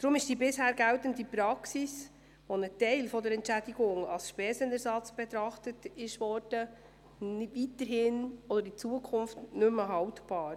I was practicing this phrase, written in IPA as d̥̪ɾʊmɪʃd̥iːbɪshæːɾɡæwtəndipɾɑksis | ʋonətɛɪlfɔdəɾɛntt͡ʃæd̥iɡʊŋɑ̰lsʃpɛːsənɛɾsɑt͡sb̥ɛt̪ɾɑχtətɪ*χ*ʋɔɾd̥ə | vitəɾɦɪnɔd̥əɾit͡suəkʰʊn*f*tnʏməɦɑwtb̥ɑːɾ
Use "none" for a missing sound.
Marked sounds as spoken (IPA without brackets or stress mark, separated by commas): ʃ, f